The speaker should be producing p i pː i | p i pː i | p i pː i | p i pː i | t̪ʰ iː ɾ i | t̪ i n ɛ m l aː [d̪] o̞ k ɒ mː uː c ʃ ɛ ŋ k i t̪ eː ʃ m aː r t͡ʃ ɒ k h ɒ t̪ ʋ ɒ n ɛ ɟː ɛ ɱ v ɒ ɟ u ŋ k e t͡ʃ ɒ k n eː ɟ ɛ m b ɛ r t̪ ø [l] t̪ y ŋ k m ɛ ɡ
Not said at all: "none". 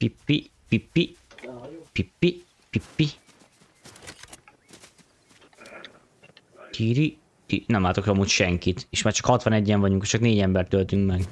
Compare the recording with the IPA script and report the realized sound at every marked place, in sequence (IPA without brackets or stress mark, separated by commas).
t̪, l